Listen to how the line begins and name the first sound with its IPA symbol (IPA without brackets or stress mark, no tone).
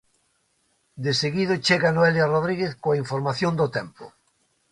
d̪